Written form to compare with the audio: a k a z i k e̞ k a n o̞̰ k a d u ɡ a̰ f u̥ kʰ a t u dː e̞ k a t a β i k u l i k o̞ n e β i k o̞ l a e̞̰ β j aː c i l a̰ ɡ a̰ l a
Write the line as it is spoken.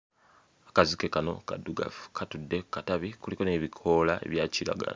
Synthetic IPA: a k a z i k e̞ k a n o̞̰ k a d u ɡ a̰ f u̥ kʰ a t u dː e̞ k a t a β i k u l i k o̞ n e β i kʰ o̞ l a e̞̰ β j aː c i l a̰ ɡ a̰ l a